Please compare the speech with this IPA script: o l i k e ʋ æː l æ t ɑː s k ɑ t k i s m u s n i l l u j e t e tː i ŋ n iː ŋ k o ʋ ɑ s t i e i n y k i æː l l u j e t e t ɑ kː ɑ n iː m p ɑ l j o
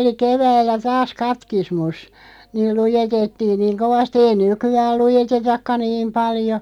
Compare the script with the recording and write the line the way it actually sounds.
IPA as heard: o l i k e ʋ æː lː æ t ɑː s k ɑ t k i s m u s n iː l l u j e t e tː iː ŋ n iː ŋ k o ʋ ɑ s t i e i n y k y æː l l u j e t e t ɑ kː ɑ n iː m p ɑ l j o